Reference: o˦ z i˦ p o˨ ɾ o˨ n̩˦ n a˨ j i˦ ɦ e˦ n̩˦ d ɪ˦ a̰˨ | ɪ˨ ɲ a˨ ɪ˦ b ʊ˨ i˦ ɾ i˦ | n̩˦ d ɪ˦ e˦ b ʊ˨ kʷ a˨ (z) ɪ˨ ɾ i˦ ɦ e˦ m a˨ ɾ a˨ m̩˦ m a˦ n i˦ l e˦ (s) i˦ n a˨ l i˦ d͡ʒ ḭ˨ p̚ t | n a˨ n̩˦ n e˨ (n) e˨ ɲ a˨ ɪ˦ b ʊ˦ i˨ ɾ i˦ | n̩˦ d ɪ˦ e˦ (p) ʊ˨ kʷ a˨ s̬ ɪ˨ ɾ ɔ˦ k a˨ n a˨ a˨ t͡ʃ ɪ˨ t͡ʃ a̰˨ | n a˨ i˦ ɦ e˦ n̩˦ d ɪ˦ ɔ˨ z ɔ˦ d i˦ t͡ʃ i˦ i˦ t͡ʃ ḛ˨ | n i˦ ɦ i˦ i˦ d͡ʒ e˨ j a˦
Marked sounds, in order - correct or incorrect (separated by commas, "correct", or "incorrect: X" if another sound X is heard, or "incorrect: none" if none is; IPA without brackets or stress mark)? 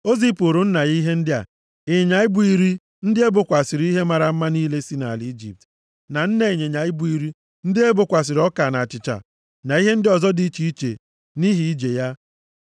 incorrect: s, correct, incorrect: ɲ, incorrect: b